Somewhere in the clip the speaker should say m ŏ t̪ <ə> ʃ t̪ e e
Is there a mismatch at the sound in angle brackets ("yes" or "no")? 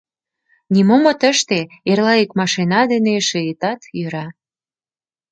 no